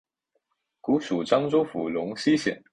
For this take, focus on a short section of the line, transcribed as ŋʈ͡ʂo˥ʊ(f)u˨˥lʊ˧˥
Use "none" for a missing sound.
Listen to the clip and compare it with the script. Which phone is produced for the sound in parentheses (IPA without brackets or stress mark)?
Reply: f